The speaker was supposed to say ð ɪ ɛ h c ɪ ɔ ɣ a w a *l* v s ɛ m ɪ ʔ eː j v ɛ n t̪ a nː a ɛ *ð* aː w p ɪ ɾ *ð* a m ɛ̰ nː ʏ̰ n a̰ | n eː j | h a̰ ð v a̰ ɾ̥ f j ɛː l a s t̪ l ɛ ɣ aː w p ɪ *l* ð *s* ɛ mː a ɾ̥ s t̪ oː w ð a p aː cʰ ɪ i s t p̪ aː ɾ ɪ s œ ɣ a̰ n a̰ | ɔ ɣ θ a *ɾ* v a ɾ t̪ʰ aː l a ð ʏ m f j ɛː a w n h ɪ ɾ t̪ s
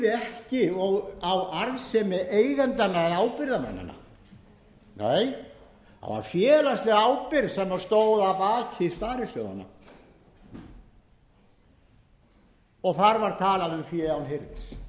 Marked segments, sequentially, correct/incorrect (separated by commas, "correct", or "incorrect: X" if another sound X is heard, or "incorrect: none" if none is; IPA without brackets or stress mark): incorrect: ɾ, correct, correct, incorrect: ɾ, correct, correct